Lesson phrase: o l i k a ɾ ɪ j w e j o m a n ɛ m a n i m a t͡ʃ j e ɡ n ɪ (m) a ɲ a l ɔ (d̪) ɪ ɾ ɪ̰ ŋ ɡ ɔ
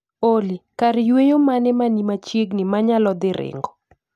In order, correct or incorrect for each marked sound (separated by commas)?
correct, correct